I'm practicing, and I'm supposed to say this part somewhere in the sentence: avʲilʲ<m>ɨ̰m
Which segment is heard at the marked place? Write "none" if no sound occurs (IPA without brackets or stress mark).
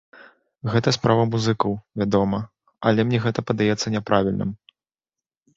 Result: n